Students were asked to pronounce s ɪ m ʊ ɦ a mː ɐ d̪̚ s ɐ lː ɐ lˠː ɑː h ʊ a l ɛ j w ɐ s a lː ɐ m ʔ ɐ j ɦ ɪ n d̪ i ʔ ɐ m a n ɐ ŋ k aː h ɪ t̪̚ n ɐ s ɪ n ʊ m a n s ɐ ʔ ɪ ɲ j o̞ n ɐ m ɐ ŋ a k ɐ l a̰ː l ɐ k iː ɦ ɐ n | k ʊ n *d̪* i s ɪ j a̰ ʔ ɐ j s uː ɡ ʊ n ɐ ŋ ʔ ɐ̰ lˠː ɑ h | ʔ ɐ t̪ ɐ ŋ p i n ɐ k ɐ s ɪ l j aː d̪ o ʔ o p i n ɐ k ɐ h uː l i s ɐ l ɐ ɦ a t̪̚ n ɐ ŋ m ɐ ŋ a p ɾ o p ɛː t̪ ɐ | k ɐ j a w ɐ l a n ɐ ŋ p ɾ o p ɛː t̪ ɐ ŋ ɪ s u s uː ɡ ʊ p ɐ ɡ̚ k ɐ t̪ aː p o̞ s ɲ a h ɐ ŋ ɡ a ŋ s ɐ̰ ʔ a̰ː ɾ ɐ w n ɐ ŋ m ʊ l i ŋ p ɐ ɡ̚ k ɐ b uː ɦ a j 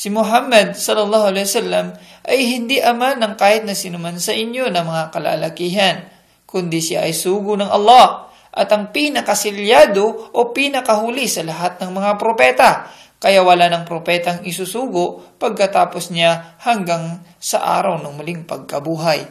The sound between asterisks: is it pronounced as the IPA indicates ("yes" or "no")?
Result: yes